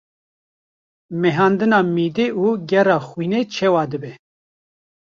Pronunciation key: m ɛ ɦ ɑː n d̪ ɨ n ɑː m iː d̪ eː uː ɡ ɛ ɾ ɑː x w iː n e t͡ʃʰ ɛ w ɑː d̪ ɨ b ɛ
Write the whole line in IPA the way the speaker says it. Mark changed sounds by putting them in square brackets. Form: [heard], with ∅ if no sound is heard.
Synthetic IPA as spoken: m ɛ ɦ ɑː n d̪ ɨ n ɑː m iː d̪ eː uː ɡ ɛ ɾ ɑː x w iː n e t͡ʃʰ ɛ w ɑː d̪ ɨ b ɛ